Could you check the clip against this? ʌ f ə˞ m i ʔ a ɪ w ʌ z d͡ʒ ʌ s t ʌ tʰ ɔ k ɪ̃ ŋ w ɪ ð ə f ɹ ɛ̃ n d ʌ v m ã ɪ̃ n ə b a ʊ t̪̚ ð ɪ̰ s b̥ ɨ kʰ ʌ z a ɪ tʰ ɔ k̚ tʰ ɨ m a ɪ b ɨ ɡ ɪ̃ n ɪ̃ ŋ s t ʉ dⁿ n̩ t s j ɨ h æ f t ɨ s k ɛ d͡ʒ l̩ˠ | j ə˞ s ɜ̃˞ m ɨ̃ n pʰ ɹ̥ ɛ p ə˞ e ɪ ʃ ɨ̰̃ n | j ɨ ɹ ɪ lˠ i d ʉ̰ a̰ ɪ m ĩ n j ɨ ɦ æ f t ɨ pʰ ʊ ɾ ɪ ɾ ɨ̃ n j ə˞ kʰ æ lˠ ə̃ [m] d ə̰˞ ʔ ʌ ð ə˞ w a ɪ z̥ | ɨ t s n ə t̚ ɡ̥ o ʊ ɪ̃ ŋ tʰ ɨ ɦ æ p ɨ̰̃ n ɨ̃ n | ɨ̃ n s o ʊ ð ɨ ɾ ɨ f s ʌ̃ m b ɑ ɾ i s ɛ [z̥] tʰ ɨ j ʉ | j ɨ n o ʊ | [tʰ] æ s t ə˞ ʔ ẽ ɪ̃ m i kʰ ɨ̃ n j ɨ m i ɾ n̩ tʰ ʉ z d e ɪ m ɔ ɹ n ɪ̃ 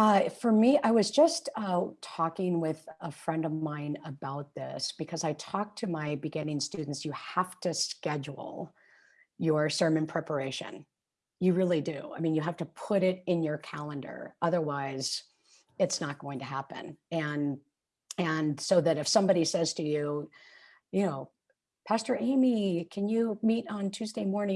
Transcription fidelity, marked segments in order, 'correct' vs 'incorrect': incorrect: n, correct, incorrect: pʰ

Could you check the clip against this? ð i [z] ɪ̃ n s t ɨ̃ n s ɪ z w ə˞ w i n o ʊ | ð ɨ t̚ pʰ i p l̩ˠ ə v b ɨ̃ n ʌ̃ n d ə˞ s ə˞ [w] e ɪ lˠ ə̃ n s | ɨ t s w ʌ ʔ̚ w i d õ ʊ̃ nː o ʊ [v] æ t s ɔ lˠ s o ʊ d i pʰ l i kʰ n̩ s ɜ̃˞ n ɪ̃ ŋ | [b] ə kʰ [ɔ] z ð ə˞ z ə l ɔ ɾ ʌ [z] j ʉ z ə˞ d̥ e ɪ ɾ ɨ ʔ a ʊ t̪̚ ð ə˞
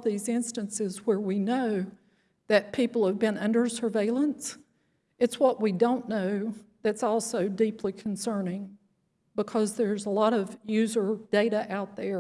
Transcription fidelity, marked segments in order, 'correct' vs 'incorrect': correct, incorrect: v, incorrect: ð, correct, incorrect: ʌ, incorrect: v

